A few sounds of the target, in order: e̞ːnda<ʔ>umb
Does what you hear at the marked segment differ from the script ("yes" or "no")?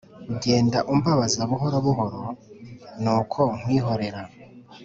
no